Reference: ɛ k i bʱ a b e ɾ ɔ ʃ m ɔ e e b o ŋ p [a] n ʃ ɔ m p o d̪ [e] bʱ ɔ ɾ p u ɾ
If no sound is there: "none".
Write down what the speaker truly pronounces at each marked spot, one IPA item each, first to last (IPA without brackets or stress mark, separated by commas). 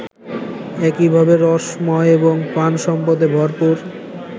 a, e